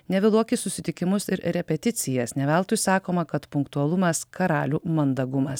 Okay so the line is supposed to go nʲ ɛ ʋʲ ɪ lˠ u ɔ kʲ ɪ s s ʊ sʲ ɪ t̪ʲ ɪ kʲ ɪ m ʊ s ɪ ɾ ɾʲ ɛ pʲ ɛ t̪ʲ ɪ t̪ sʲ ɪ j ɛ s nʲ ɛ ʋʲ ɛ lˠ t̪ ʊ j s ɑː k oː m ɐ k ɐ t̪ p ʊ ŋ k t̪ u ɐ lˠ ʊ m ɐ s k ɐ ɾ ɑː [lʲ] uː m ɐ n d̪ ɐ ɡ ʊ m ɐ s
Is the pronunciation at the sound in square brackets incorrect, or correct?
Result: correct